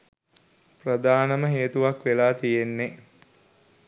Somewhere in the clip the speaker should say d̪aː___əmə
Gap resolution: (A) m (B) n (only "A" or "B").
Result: B